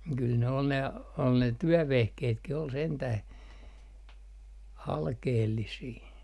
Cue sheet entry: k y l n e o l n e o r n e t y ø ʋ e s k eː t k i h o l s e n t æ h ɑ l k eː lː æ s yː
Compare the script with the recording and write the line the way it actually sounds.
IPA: k y l n e o l n e o l n e t y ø ʋ e h k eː t k i h o l s e n t æ h ɑ l k eː lː i s iː